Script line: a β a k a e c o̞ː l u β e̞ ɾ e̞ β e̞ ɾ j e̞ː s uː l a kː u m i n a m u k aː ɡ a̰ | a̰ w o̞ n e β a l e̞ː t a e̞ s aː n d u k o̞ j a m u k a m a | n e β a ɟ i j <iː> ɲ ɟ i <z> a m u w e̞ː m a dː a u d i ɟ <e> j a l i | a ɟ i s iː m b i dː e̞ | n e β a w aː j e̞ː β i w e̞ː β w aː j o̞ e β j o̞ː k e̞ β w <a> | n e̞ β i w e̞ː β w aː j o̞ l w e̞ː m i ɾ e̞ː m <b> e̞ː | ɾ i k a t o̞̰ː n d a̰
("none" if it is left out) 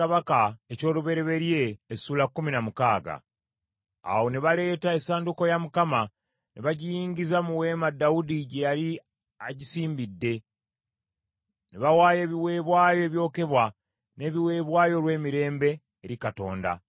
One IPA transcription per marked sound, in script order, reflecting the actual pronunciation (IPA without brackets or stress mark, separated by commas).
iː, z, e, a, b